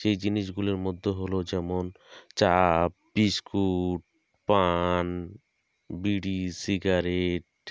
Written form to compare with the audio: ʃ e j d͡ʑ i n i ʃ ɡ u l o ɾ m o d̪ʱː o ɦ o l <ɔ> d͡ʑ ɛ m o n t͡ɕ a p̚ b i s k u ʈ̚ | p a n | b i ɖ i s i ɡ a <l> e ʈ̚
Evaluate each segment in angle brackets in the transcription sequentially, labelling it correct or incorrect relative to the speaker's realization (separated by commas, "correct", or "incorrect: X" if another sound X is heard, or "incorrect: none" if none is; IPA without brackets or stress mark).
incorrect: o, incorrect: ɾ